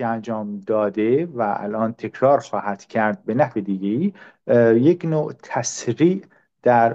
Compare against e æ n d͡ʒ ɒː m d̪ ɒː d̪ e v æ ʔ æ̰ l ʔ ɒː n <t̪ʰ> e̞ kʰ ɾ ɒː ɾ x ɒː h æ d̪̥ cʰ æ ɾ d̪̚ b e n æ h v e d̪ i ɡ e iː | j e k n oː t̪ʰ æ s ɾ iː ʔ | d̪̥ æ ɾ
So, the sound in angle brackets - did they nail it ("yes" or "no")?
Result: yes